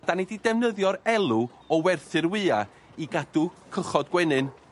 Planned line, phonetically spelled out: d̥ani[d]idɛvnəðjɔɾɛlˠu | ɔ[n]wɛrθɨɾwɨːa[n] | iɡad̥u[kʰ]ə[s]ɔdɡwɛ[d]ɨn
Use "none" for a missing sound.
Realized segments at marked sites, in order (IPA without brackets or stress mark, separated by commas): d, none, none, kʰ, χ, n